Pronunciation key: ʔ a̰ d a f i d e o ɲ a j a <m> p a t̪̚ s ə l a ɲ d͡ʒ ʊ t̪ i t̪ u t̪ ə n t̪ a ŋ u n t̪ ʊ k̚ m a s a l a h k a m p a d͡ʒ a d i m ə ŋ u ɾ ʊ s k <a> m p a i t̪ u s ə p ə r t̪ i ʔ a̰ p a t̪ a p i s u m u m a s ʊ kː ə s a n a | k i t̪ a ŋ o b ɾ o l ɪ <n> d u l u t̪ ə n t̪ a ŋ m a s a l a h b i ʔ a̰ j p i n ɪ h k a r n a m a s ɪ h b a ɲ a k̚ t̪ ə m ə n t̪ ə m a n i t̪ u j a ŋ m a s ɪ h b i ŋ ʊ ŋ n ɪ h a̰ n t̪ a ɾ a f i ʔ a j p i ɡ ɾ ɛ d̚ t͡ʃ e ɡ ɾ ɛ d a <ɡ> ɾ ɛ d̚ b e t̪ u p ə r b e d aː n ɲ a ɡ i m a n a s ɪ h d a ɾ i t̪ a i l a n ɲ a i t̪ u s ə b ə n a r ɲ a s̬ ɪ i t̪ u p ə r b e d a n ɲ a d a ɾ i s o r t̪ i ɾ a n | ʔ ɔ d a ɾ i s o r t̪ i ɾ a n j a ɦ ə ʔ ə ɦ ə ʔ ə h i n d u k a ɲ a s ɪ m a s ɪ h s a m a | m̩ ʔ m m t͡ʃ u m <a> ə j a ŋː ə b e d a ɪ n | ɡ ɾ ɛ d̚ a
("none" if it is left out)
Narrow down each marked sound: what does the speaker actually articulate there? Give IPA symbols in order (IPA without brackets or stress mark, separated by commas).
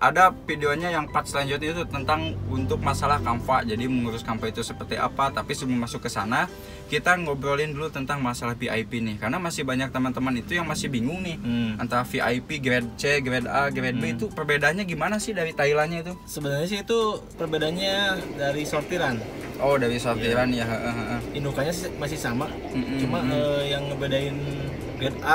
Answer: ŋ, a, n, ɡ, a